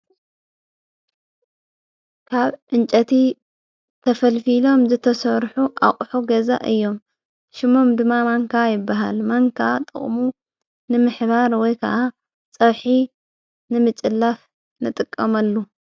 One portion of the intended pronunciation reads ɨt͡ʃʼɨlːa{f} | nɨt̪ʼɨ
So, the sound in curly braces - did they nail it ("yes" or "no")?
yes